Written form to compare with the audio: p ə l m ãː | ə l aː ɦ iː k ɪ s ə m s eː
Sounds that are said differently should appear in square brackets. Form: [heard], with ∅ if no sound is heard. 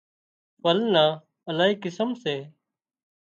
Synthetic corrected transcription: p ə l [n] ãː | ə l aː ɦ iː k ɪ s ə m s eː